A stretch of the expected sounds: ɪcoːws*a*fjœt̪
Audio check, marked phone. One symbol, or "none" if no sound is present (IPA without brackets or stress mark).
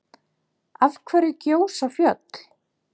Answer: a